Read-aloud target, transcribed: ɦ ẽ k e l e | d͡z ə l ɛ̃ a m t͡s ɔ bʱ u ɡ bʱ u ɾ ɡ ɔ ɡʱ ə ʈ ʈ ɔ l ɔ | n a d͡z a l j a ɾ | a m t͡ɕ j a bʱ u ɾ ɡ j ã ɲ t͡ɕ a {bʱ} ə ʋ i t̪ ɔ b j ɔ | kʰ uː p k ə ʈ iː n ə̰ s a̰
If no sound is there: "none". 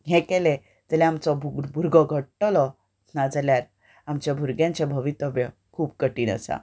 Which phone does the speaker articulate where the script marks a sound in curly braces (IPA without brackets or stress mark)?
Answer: bʱ